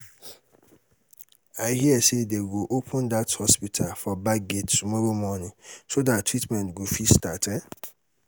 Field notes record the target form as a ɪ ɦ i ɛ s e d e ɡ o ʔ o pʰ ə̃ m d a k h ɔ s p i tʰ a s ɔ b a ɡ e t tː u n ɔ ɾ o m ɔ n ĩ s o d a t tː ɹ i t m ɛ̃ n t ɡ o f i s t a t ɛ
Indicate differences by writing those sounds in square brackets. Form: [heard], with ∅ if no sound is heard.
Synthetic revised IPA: a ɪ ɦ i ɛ s e d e ɡ o ʔ o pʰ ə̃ [n] d a [t] h ɔ s p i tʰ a [f] ɔ b a ɡ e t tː u [m] ɔ ɾ o m ɔ n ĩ s o d a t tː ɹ i t m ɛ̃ n t ɡ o f i s t a t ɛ

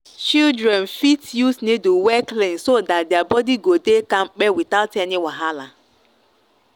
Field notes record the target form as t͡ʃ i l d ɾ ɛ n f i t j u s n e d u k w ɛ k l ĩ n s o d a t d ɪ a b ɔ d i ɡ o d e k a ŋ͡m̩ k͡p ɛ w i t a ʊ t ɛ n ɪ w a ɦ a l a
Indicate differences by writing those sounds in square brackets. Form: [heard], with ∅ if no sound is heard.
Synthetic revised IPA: t͡ʃ i l d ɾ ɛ n f i t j u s n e d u [∅] w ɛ k l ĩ n s o d a t d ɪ a b ɔ d i ɡ o d e k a ŋ͡m̩ k͡p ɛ w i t a ʊ t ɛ n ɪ w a ɦ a l a

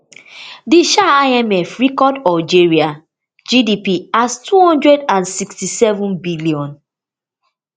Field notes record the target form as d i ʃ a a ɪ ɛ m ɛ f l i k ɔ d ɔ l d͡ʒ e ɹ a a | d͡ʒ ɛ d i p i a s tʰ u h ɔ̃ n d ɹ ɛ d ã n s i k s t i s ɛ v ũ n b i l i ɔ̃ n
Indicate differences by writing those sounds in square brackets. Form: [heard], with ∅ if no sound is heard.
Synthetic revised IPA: d i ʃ a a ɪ ɛ m ɛ f [ɹ] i k ɔ d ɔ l d͡ʒ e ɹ [i] a | d͡ʒ [i] d i p i a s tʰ u h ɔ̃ n d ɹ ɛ d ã n s i k s t i s ɛ v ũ n b i l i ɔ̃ n

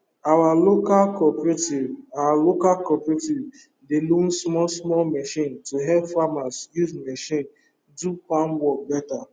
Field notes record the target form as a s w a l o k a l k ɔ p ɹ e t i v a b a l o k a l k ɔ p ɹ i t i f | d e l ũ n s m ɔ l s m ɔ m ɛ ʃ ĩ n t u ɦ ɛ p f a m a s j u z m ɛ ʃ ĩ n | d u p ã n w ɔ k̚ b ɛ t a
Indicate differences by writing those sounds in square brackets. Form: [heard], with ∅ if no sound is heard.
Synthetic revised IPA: a [∅] w a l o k a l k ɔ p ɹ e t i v a [w] a l o k a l k ɔ p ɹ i t i [v] | d e l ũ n s m ɔ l s m ɔ m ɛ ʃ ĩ n t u ɦ ɛ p f a m a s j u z m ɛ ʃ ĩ n | d u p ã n w ɔ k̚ b ɛ t a

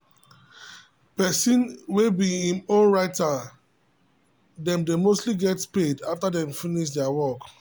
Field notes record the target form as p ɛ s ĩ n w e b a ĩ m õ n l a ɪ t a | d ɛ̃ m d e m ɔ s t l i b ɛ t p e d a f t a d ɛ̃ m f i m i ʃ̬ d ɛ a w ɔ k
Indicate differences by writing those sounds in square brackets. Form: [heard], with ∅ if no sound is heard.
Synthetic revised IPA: p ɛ s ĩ n w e b [i] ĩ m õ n [ɹ] a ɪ t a | d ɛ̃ m d e m [o] s t l i [ɡ] ɛ t p e d a f t a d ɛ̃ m f i [n] i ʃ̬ d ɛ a w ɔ k

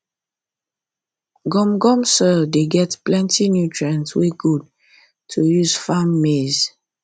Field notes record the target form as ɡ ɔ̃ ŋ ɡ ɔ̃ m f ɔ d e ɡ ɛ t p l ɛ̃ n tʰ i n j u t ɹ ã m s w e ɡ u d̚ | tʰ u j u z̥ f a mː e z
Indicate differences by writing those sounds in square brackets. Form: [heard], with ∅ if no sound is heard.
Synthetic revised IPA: ɡ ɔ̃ [m] ɡ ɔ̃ m [s] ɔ d e ɡ ɛ t p l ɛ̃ n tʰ i n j u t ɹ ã [n] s w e ɡ u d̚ | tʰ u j u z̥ f a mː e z

